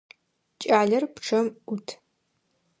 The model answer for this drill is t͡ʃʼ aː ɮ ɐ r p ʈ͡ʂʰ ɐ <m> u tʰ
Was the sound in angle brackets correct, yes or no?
yes